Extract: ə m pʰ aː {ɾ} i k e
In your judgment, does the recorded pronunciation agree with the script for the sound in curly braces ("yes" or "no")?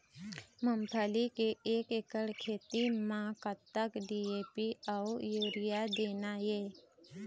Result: no